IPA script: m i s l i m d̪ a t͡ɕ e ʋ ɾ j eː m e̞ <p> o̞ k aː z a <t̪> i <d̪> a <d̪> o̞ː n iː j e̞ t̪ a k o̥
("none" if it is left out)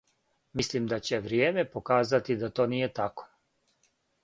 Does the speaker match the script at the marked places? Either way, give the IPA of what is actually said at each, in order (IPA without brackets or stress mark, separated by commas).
p, t̪, d̪, t̪